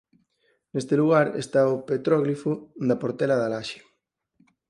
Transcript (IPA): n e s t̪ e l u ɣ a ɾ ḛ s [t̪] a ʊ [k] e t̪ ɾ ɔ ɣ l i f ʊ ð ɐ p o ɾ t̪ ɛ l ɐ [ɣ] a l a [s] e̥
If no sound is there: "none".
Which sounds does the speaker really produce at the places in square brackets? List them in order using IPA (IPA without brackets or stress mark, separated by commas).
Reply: t̪, p, ð, ʃ